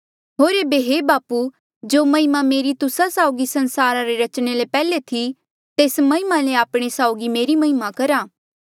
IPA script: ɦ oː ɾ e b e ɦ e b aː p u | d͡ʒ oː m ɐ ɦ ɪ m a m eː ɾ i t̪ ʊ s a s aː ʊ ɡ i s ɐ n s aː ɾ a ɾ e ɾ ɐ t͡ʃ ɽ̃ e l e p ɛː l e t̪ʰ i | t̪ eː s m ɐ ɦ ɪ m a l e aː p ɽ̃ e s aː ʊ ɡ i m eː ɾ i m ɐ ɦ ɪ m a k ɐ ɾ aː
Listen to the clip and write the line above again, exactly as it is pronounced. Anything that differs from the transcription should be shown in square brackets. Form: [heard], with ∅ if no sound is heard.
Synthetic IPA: ɦ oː ɾ e b e ɦ e b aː p u | d͡ʒ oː m ɐ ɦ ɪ m a m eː ɾ i t̪ ʊ s a s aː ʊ ɡ i s ɐ n s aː ɾ a ɾ e ɾ ɐ t͡ʃ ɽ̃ e l e p ɛː l e t̪ʰ i | t̪ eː s m ɐ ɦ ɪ m a l e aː p ɽ̃ e s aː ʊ ɡ i m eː ɾ i m ɐ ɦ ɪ m a k ɐ ɾ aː